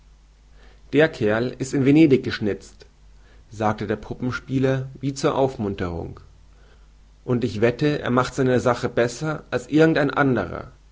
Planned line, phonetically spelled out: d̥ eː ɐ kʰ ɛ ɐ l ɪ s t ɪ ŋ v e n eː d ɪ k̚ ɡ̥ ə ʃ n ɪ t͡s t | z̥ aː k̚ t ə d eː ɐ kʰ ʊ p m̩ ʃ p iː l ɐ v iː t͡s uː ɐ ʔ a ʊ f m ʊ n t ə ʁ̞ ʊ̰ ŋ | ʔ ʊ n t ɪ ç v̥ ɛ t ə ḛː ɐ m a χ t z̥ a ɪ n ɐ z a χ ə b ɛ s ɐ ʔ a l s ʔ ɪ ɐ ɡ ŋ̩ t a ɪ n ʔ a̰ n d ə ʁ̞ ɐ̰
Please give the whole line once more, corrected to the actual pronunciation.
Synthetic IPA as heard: d̥ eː ɐ kʰ ɛ ɐ l ɪ s t ɪ n v e n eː d ɪ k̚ ɡ̥ ə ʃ n ɪ t͡s t | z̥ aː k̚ t ə d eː ɐ pʰ ʊ p m̩ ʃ p iː l ɐ v iː t͡s uː ɐ ʔ a ʊ f m ʊ n t ə ʁ̞ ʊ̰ ŋ | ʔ ʊ n t ɪ ç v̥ ɛ t ə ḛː ɐ m a χ t z̥ a ɪ n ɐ z a χ ə b ɛ s ɐ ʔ a l s ʔ ɪ ɐ ɡ ŋ̩ t a ɪ n ʔ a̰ n d ə ʁ̞ ɐ̰